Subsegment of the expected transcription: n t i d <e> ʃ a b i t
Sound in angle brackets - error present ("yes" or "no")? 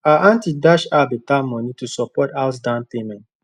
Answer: yes